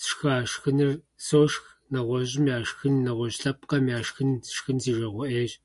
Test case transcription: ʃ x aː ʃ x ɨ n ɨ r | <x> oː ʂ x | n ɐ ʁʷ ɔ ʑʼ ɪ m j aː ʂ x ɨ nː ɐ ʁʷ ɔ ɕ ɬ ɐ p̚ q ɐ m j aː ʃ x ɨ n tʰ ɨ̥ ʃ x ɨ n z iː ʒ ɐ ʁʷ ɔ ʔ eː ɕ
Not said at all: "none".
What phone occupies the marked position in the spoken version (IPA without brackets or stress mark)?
s